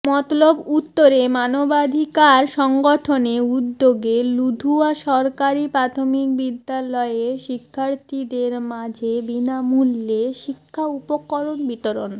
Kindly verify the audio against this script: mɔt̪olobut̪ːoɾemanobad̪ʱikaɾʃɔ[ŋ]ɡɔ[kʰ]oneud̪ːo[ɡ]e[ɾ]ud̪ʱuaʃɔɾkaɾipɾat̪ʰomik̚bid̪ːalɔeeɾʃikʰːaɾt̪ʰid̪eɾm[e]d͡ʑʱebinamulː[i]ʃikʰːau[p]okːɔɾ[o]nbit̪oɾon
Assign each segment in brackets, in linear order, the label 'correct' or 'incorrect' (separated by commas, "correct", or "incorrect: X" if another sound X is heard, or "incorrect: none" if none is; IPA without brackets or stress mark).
correct, incorrect: ʈʰ, correct, incorrect: l, incorrect: a, incorrect: e, correct, correct